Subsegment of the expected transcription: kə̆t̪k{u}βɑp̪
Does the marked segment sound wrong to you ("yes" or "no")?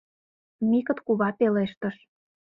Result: no